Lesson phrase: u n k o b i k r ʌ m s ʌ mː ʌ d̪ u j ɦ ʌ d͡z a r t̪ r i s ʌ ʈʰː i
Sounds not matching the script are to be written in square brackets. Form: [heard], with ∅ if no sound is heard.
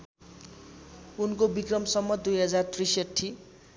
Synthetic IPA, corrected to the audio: u n k o b i k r ʌ m s ʌ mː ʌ d̪ u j ɦ ʌ d͡z a r t̪ r i s ʌ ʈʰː i